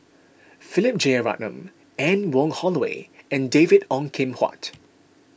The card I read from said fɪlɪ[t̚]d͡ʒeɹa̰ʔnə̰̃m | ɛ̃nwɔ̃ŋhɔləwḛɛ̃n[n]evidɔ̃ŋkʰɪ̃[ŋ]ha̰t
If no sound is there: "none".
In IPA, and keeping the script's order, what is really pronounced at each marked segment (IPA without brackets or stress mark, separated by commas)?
p̚, d, m